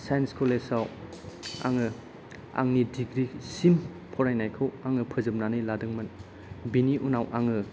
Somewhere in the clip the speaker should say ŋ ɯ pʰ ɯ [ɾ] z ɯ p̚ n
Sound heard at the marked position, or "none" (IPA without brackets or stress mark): none